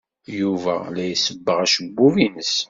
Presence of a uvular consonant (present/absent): present